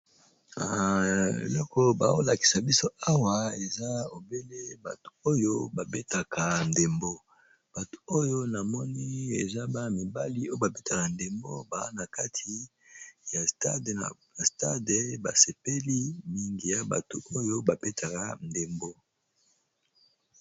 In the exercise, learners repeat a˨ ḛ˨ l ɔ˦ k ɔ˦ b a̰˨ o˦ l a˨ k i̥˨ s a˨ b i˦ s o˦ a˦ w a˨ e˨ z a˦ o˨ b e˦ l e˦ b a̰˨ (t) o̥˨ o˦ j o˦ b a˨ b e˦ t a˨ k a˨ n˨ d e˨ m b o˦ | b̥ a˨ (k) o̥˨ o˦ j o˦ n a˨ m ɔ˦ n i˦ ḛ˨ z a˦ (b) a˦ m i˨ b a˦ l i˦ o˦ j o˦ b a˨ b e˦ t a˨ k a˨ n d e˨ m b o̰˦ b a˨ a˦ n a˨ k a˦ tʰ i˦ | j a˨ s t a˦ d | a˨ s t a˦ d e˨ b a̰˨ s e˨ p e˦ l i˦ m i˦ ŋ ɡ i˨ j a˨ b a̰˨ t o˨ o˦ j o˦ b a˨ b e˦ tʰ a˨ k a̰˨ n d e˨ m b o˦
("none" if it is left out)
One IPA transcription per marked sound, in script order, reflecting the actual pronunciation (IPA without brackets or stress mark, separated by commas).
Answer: t, t, b